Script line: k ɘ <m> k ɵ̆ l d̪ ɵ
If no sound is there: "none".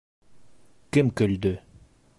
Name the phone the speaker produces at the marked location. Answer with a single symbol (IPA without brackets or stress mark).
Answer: m